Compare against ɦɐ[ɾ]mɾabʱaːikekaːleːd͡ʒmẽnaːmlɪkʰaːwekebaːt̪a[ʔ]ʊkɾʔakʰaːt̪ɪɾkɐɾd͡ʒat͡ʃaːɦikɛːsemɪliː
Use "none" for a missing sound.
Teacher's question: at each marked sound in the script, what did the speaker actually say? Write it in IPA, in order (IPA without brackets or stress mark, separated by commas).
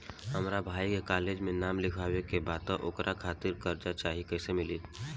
none, ʔ